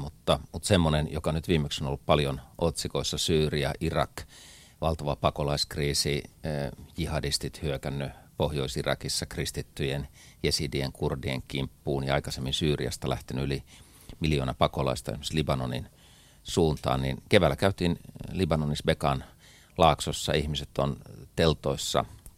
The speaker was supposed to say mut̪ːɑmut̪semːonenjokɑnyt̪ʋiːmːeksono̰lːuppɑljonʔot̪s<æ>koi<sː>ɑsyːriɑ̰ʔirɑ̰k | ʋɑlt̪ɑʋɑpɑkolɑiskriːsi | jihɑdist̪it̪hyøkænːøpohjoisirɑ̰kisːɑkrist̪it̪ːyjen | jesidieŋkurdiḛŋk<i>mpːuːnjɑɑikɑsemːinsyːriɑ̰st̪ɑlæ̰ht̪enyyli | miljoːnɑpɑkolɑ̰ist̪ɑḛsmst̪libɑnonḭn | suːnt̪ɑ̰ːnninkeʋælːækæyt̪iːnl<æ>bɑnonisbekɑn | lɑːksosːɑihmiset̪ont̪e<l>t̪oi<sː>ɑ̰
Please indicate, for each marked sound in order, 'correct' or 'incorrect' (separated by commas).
incorrect, correct, correct, incorrect, correct, correct